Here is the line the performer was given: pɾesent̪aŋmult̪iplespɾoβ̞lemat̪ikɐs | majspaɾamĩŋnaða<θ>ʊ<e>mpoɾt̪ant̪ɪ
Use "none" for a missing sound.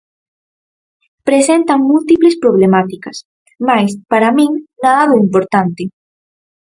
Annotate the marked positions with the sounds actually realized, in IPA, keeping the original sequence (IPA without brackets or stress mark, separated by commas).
ð, i